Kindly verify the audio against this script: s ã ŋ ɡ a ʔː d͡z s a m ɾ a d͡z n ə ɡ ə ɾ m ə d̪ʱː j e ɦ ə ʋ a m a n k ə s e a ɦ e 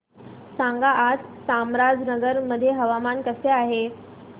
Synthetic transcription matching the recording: s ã ŋ ɡ a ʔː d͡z s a m ɾ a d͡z n ə ɡ ə ɾ m ə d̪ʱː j e ɦ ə ʋ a m a n k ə s e a ɦ e